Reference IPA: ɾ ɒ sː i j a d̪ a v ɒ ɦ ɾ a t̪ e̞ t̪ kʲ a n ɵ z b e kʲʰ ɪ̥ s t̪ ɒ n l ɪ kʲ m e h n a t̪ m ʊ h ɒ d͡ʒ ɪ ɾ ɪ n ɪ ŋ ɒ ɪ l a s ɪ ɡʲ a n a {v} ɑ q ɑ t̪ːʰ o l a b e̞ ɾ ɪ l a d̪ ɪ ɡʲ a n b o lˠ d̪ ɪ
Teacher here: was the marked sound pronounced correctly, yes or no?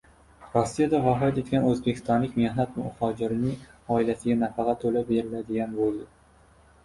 no